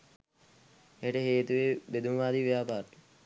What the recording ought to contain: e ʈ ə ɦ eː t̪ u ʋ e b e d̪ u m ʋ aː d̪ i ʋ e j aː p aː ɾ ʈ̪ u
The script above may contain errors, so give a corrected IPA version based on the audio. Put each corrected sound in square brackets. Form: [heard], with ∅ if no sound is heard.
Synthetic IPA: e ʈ ə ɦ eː t̪ u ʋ e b e d̪ u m ʋ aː d̪ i ʋ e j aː p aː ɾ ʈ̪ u